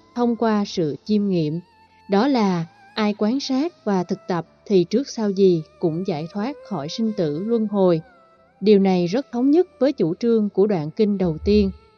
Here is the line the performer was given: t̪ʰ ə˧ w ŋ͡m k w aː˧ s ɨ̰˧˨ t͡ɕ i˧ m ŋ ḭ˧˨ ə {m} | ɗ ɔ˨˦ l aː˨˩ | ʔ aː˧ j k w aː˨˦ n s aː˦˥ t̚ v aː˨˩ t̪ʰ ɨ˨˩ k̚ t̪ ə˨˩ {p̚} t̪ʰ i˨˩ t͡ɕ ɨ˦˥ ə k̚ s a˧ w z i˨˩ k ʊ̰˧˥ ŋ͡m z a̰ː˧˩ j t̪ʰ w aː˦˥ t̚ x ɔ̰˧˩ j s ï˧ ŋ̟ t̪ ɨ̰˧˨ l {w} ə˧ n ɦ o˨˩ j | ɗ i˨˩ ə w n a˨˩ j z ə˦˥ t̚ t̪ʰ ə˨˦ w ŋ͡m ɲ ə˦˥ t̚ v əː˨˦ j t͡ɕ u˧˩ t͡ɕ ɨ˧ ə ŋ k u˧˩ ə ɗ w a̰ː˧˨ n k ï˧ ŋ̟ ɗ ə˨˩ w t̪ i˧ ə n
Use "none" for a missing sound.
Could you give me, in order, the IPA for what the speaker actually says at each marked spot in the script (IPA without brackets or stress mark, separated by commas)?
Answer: m, p̚, w